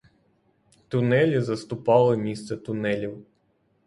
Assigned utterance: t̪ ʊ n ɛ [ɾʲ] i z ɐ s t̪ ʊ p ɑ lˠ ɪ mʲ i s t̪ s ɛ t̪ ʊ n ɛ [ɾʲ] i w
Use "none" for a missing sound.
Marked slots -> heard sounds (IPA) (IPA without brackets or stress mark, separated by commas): lʲ, lʲ